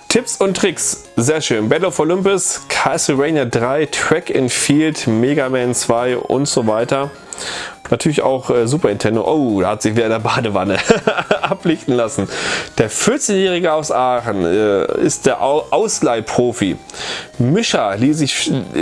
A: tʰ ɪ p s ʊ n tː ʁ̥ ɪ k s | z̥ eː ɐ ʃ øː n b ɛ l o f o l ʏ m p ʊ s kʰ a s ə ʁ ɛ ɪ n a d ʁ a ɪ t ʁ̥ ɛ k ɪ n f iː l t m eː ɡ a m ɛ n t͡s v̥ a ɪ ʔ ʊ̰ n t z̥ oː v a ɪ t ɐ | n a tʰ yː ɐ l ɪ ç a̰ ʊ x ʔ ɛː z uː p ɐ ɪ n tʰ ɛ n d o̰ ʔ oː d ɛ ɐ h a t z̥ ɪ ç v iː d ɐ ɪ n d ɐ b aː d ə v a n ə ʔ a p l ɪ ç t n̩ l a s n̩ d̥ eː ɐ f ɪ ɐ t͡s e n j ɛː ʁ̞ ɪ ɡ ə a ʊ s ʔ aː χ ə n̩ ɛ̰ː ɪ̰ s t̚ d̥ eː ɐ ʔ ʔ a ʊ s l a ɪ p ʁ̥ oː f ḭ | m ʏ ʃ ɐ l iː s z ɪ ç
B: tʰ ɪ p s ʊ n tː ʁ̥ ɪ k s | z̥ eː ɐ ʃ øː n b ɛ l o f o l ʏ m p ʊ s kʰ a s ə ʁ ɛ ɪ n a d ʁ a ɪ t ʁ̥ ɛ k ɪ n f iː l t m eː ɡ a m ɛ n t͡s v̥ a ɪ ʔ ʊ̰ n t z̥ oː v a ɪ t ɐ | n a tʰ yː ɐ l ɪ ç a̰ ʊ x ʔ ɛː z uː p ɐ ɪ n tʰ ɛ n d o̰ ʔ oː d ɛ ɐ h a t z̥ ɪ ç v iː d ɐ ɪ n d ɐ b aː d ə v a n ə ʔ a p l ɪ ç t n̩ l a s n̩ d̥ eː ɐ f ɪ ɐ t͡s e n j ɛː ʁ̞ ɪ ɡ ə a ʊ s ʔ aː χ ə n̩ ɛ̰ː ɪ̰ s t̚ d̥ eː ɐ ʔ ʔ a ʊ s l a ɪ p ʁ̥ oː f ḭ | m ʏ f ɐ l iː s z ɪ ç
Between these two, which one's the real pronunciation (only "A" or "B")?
A